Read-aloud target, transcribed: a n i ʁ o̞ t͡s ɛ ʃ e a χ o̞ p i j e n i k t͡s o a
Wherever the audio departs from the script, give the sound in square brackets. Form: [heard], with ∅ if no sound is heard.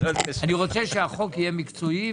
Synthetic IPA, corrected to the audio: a n i ʁ o̞ t͡s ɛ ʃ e a χ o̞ [k] i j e [m] i k t͡s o [i]